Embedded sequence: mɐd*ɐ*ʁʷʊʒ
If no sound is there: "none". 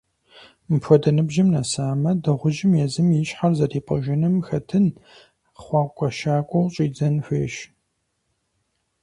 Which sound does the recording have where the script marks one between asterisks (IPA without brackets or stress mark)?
ɐ